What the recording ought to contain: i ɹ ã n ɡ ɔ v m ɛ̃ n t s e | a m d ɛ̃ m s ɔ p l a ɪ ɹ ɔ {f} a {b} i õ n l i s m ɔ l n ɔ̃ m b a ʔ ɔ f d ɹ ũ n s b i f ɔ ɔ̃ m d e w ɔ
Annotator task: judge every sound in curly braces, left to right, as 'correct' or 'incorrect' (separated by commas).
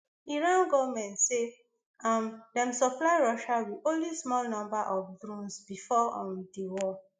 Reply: incorrect, incorrect